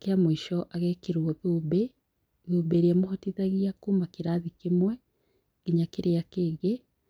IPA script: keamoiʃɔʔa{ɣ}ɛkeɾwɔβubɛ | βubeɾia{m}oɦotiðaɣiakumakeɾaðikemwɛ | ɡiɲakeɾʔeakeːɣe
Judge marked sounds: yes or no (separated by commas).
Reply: yes, yes